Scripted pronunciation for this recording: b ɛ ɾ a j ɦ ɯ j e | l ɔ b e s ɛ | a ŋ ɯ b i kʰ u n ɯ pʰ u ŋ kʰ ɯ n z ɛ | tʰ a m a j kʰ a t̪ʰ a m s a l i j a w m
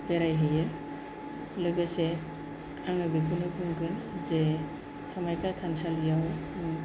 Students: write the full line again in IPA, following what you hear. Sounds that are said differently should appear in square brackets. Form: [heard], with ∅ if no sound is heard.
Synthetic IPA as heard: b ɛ ɾ a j ɦ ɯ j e | l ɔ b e s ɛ | a ŋ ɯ b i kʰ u n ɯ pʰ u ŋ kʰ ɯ n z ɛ | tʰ a m a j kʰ a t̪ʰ a [n] s a l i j a w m